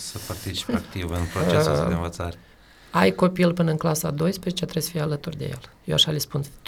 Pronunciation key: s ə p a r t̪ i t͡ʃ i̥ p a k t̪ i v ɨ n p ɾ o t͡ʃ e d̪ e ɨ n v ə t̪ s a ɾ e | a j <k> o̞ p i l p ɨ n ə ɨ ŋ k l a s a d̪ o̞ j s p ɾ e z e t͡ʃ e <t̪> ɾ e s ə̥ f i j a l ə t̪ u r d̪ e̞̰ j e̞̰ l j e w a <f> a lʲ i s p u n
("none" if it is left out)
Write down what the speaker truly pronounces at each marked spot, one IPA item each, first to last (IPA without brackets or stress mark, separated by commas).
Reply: k, t̪, ʃ